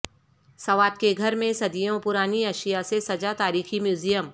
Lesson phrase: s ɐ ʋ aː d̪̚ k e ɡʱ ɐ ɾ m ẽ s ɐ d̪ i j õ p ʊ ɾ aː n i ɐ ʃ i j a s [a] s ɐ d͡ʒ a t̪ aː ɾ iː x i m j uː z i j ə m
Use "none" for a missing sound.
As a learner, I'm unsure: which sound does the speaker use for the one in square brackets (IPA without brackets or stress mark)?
e